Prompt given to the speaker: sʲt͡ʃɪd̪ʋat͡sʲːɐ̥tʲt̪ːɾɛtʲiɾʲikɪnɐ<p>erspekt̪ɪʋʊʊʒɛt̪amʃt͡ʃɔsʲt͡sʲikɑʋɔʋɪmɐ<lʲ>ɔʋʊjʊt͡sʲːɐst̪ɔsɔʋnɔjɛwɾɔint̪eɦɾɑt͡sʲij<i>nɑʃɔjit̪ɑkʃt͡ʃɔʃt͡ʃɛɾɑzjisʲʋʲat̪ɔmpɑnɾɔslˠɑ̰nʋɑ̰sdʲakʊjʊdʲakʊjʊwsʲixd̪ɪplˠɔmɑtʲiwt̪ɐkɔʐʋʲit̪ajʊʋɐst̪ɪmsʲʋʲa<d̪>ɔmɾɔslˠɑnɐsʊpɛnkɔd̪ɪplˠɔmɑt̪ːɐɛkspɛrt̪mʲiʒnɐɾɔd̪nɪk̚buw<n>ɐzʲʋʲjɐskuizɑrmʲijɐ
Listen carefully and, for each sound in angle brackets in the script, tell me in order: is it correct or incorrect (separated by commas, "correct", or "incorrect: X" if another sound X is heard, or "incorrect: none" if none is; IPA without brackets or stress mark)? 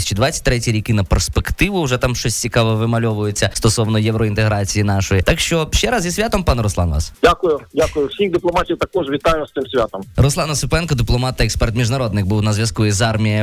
correct, correct, correct, incorrect: t̪, correct